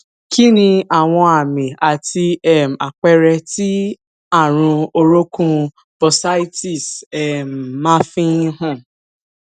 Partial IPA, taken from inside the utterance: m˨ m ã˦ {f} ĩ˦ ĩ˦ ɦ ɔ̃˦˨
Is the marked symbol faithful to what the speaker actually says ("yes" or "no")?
yes